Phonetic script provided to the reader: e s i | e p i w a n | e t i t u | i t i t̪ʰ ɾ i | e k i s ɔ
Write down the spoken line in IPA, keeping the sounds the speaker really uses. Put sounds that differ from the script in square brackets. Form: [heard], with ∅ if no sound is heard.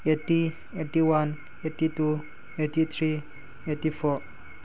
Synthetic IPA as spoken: e [t] i | e [t] i w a n | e t i t u | [e] t i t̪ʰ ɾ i | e [t] i [f] ɔ